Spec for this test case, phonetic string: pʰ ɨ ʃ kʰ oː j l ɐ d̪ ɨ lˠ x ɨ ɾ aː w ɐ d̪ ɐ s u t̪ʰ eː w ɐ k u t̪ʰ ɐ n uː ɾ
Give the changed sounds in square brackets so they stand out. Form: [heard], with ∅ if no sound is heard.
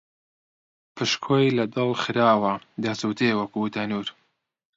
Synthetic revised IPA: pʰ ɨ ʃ kʰ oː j l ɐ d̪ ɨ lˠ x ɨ ɾ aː w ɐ d̪ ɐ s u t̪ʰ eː w ɐ k u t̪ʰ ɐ n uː ɾ